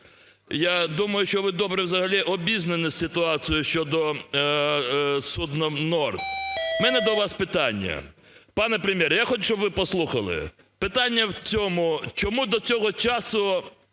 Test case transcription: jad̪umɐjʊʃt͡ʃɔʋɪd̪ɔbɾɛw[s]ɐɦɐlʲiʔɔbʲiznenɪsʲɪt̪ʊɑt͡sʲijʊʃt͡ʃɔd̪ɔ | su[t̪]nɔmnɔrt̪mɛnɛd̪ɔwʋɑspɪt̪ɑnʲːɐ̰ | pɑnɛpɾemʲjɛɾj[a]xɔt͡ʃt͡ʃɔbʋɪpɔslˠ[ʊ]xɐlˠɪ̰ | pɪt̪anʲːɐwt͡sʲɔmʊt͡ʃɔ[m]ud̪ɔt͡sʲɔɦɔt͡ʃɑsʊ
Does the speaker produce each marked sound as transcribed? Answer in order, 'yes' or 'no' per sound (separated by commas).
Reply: no, no, yes, no, yes